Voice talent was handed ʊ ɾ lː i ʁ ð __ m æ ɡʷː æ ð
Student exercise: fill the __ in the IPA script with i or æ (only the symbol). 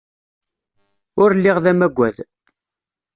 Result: æ